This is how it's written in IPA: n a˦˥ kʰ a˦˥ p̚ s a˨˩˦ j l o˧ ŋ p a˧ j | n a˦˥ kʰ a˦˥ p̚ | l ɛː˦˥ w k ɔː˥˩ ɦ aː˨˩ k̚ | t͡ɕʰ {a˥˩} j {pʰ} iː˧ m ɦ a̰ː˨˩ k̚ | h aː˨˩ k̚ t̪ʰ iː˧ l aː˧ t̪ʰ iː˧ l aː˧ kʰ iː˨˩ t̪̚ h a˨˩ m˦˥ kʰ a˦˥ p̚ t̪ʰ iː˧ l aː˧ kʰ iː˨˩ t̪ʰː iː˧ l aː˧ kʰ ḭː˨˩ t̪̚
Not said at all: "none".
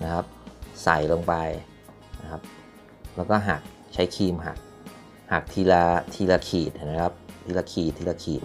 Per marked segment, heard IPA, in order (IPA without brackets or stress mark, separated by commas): a˦˥, kʰ